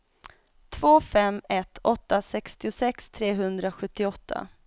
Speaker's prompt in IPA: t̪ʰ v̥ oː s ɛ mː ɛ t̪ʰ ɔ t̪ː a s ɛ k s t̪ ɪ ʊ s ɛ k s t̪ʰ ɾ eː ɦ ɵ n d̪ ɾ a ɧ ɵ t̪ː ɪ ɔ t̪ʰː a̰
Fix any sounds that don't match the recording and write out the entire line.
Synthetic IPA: t̪ʰ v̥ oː f ɛ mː ɛ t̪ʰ ɔ t̪ː a s ɛ k s t̪ ɪ ʊ s ɛ k s t̪ʰ ɾ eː ɦ ɵ n d̪ ɾ a ɧ ɵ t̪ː ɪ ɔ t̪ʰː a̰

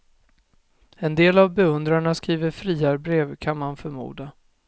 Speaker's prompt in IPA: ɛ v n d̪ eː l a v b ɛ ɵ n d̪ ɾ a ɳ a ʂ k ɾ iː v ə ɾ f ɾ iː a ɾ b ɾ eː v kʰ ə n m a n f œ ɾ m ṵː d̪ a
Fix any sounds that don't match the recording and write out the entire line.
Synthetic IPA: ɛ n d̪ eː l a v b ɛ ɵ n d̪ ɾ a ɳ a s k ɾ iː v ə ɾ f ɾ iː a ɾ b ɾ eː v kʰ a n m a n f œ ɾ m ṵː d̪ a

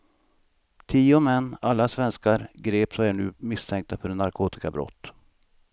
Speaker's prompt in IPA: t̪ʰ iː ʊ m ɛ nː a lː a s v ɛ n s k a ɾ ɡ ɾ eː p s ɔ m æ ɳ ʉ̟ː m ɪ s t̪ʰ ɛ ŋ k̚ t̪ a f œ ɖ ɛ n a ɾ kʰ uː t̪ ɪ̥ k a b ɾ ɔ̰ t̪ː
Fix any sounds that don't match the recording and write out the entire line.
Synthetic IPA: t̪ʰ iː ʊ m ɛ nː a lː a s v ɛ n s k a ɾ ɡ ɾ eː p s ɔ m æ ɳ ʉ̟ː m ɪ s t̪ʰ ɛ ŋ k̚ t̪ a f œ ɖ ɛ n a ɾ kʰ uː t̪ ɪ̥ k a b ɾ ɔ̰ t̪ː

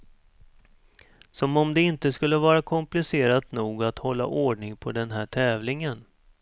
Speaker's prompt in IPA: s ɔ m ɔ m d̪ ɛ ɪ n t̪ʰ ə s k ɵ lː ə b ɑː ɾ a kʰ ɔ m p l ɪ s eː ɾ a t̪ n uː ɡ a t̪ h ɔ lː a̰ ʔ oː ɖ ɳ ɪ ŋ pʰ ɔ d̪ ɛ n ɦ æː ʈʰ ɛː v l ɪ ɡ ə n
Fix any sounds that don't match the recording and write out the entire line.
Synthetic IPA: s ɔ m ɔ m d̪ ɛ ɪ n t̪ ə s k ɵ lː ə v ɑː ɾ a kʰ ɔ m p l ɪ s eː ɾ a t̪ n uː ɡ a t̪ h ɔ lː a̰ ʔ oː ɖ ɳ ɪ ŋ pʰ ɔ d̪ ɛ n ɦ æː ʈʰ ɛː v l ɪ ŋ ə n

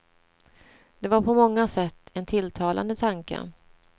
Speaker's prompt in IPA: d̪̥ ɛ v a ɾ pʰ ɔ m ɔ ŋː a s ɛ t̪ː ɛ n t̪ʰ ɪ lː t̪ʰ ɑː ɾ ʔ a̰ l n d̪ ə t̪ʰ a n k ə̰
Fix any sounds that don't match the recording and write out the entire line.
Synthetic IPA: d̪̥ ɛ v a ɾ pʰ ɔ m ɔ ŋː a s ɛ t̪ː ɛ n t̪ʰ ɪ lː t̪ʰ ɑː l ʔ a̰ n d̪ ə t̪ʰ a ŋ k ə̰

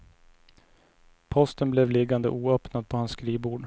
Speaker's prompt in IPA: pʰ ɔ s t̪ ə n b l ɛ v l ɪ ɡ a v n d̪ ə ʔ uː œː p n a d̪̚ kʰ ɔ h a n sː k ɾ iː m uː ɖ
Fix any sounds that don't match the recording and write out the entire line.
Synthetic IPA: pʰ ɔ s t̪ ə n b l ɛ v l ɪ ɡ a n d̪ ə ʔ uː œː p n a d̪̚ pʰ ɔ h a n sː k ɾ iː b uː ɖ

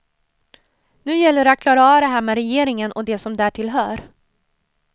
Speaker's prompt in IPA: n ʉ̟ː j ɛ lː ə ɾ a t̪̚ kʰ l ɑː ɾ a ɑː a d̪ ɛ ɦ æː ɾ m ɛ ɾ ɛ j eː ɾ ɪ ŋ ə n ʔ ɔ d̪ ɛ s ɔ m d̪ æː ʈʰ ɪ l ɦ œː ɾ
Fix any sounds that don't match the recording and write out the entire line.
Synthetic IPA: n ʉ̟ː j ɛ lː ə ɾ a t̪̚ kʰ l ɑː ɾ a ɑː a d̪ ɛ ɦ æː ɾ m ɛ ɾ ɛ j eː ɾ ɪ ŋ ə n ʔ ɔ d̪ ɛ s ɔ m d̪ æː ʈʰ ɪ l ɦ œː ɾ

